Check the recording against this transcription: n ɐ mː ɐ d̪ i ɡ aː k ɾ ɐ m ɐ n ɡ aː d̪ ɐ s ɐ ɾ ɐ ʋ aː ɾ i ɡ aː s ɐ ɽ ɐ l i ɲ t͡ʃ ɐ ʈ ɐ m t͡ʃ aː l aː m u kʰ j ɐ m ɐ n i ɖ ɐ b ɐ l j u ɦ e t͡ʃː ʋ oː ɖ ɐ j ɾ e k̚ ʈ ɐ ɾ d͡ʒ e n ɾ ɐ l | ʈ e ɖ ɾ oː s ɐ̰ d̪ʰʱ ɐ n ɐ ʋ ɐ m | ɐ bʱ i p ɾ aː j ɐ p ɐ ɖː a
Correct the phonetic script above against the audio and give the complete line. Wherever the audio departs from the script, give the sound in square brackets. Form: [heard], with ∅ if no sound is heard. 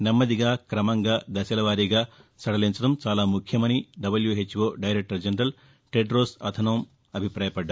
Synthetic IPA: n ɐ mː ɐ d̪ i ɡ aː k ɾ ɐ m ɐ [ŋ] ɡ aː d̪ ɐ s ɐ [l] ɐ ʋ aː ɾ i ɡ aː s ɐ ɽ ɐ l i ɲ t͡ʃ ɐ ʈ ɐ m t͡ʃ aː l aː m u kʰ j ɐ m ɐ n i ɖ ɐ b ɐ l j u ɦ e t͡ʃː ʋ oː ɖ ɐ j ɾ e k̚ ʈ ɐ ɾ d͡ʒ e n ɾ ɐ l | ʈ e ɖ ɾ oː s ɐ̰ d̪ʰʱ ɐ n ɐ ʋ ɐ m | ɐ bʱ i p ɾ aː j ɐ p ɐ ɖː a